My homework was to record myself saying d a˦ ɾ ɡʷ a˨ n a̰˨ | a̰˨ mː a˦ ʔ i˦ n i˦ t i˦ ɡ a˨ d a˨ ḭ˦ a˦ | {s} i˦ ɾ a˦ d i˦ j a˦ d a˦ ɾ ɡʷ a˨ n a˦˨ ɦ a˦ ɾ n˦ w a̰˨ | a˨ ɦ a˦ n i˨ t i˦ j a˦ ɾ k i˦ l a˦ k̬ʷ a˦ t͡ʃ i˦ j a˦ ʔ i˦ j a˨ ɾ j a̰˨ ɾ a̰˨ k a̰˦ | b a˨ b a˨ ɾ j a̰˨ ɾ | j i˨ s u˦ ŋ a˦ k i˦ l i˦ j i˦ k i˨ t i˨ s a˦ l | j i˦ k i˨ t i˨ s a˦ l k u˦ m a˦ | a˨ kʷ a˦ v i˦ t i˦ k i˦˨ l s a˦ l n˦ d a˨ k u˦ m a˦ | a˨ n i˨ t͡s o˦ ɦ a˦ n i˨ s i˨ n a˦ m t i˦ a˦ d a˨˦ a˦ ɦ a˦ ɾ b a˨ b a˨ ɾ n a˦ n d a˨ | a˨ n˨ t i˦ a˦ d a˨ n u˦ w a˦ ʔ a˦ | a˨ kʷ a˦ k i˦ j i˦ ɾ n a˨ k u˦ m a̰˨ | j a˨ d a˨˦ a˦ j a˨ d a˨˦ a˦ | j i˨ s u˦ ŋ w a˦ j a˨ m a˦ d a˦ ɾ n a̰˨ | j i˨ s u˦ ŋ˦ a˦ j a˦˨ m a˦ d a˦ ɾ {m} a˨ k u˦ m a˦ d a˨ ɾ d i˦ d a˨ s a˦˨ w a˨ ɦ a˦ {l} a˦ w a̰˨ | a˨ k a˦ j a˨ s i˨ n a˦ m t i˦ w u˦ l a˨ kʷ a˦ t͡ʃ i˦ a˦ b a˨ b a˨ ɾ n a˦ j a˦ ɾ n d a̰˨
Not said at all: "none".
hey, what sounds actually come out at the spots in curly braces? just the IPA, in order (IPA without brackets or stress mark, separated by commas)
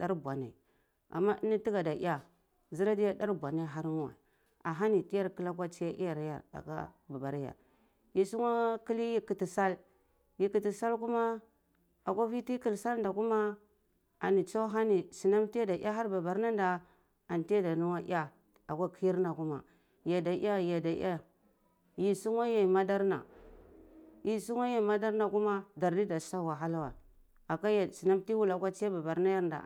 z, n, l